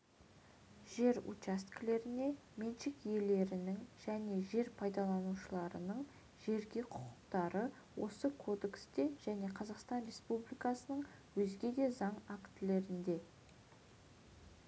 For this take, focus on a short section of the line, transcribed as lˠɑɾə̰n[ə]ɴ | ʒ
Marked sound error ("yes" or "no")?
no